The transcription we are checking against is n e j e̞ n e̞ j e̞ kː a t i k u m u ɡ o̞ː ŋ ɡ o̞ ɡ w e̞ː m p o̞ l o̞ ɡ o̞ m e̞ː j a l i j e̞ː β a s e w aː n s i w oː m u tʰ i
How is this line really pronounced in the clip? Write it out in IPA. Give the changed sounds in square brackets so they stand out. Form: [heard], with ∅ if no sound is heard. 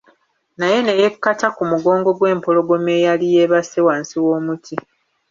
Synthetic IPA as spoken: n [a] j e̞ n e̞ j e̞ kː a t [a] k u m u ɡ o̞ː ŋ ɡ o̞ ɡ w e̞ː m p o̞ l o̞ ɡ o̞ m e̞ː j a l i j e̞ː β a s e w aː n s i w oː m u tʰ i